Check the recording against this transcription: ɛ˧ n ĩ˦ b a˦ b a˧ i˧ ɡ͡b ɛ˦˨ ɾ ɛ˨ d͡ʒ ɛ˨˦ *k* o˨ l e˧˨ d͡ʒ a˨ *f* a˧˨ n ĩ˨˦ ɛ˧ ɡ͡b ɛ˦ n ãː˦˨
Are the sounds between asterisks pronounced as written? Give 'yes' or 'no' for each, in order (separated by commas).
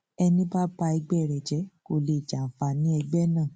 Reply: yes, yes